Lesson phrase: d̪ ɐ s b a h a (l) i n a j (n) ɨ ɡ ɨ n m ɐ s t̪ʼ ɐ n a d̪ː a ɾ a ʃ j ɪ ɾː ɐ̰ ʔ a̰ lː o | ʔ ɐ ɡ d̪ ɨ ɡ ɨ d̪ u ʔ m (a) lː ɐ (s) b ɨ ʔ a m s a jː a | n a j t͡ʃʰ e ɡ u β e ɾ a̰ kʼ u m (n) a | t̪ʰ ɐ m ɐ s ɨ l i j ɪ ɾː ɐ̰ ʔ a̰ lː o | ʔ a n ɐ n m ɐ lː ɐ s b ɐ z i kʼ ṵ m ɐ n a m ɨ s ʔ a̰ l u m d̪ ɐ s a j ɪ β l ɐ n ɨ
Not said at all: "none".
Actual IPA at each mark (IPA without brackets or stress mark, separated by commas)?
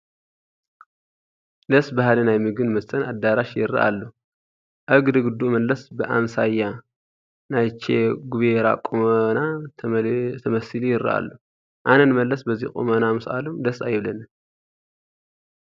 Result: l, m, ɐ, s, n